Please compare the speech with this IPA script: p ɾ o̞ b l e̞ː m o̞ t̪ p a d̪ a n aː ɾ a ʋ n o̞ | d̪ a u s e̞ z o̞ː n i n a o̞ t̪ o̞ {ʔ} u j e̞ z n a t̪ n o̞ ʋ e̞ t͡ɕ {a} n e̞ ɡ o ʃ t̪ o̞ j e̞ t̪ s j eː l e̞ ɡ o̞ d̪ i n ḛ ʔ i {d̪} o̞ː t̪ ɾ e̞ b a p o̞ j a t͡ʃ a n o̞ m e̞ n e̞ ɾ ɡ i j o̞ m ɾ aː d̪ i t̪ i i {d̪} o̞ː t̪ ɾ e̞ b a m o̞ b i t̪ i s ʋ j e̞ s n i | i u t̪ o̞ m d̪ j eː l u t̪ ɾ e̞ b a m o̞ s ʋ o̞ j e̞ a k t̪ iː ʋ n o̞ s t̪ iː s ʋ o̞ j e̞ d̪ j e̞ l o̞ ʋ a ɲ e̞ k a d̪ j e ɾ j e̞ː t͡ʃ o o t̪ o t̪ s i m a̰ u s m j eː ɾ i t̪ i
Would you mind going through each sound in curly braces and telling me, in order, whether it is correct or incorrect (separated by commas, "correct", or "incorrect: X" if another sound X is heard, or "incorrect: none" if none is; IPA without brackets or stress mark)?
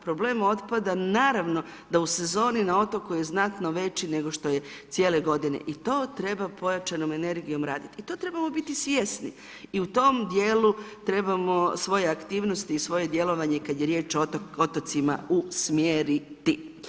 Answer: incorrect: k, incorrect: i, incorrect: t̪, incorrect: t̪